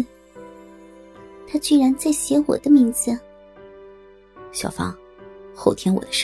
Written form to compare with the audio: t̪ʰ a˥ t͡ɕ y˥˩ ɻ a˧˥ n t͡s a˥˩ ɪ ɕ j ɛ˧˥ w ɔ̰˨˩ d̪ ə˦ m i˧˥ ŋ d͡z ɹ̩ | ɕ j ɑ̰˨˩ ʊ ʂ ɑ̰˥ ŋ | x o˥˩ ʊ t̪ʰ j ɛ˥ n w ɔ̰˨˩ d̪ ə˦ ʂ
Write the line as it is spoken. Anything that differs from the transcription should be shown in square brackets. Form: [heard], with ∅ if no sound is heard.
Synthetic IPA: t̪ʰ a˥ t͡ɕ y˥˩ ɻ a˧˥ n t͡s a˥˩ ɪ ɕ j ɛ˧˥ w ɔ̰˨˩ d̪ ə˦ m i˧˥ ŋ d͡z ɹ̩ | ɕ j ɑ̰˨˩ ʊ [f] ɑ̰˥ ŋ | x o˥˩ ʊ t̪ʰ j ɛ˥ n w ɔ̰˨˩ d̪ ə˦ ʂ